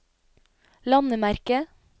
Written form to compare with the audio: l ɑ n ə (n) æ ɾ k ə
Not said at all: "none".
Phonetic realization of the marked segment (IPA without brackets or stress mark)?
m